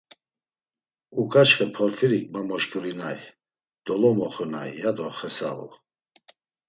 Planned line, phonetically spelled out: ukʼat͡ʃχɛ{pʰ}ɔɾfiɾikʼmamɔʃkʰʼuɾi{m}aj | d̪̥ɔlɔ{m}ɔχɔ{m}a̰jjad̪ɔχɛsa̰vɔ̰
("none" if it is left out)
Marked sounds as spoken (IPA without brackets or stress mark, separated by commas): pʰ, n, m, n